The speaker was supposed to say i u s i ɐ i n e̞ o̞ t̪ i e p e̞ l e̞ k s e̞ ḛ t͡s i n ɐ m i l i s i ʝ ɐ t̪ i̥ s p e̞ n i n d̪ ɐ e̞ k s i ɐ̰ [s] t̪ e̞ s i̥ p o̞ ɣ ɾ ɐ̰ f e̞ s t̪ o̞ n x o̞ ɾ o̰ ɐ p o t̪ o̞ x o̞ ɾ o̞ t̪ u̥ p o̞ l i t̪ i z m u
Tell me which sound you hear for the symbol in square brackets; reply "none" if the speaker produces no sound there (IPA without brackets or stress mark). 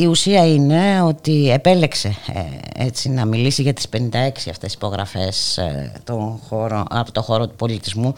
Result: f